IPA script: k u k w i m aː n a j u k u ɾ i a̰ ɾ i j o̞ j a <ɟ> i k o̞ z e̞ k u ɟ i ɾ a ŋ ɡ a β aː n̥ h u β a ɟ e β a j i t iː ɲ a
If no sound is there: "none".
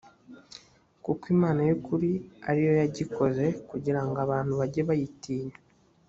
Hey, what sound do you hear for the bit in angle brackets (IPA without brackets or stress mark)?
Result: ɟ